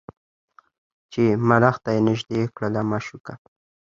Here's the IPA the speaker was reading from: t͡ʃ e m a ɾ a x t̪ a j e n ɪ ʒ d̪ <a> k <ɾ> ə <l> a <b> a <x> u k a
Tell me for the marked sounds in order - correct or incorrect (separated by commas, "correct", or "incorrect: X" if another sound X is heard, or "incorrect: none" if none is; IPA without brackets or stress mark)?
incorrect: e, incorrect: ɽ, correct, incorrect: m, incorrect: ʃ